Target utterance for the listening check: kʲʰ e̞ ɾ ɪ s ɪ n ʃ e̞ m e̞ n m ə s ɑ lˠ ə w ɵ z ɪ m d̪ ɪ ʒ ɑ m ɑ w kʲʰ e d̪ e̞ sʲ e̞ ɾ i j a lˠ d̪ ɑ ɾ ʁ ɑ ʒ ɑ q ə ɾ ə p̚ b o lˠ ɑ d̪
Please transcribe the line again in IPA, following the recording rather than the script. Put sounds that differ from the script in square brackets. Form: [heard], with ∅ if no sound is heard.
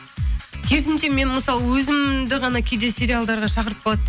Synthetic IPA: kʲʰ e̞ ɾ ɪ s ɪ n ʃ e̞ m e̞ n m ə s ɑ lˠ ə w ɵ z ɪ m d̪ ɪ [ʁ] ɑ [n] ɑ [∅] kʲʰ e d̪ e̞ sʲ e̞ ɾ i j a lˠ d̪ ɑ ɾ ʁ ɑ [ʃ] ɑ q ə ɾ ə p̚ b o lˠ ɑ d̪